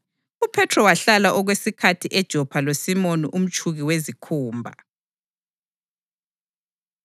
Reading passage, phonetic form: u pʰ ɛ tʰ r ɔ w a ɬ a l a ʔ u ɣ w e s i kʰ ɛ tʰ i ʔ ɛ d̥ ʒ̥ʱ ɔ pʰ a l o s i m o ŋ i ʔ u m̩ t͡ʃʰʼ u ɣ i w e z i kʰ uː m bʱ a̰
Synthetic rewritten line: u pʰ ɛ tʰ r ɔ w a ɬ a l a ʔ ɔ ɣ w e s i kʰ a tʰ i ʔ ɛ d̥ ʒ̥ʱ ɔ pʰ a l o s i m o n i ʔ u m̩ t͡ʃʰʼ u ɣ i w e z i kʰ uː m bʱ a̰